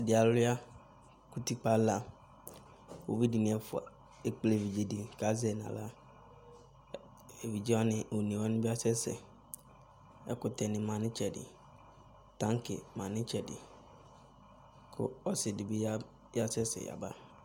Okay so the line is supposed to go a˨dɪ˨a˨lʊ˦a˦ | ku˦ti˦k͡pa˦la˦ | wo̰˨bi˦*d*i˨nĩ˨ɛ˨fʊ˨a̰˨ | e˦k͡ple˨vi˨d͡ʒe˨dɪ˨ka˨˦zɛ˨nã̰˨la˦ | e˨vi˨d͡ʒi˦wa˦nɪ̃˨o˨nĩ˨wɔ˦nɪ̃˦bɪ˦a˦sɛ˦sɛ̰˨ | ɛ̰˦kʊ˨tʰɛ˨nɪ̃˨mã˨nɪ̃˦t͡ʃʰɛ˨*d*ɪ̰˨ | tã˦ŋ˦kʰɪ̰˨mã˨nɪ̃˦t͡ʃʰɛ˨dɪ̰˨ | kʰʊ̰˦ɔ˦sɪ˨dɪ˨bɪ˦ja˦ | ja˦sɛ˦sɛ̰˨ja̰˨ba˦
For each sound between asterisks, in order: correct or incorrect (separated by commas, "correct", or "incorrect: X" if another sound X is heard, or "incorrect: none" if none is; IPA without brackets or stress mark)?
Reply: correct, correct